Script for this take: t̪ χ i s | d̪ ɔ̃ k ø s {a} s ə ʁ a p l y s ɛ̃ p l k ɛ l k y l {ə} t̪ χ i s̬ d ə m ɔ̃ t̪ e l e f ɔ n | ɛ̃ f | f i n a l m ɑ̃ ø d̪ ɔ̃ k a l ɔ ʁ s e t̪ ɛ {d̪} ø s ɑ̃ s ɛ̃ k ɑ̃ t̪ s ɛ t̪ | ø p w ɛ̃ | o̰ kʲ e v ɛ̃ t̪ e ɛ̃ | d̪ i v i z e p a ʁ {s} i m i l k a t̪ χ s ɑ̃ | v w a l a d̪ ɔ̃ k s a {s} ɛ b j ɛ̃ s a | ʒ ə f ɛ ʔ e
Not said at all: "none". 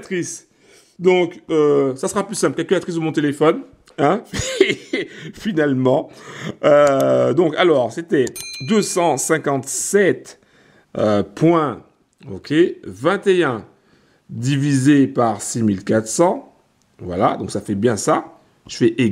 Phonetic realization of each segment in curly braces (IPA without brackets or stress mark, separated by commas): a, a, d̪, s, f